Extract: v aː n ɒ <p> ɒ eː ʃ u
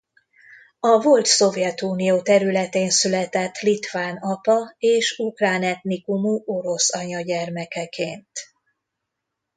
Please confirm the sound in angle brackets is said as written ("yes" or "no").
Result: yes